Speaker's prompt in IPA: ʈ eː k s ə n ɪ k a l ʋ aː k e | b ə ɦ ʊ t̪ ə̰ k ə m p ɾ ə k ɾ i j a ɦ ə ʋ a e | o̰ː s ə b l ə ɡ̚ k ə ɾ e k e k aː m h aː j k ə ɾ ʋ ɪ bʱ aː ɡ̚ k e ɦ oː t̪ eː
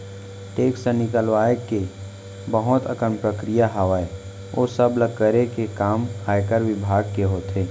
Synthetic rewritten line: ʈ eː k s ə n ɪ k ə l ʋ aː k e | b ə ɦ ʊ t̪ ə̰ k ə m p ɾ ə k ɾ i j a ɦ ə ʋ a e | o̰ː s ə b l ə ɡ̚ k ə ɾ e k e k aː m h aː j k ə ɾ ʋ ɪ bʱ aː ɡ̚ k e ɦ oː t̪ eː